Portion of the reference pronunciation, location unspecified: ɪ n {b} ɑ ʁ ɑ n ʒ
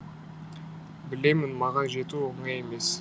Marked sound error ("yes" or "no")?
yes